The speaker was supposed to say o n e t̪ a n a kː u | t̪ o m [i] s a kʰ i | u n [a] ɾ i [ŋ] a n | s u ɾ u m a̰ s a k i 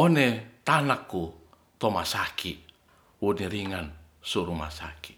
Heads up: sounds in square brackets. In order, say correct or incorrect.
incorrect, incorrect, correct

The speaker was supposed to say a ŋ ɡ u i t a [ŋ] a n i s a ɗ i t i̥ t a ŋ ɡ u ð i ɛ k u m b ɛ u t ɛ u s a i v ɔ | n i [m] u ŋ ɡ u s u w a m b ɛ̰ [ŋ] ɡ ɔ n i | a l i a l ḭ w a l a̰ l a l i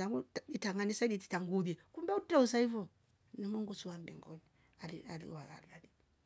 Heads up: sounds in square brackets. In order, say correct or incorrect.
correct, correct, correct

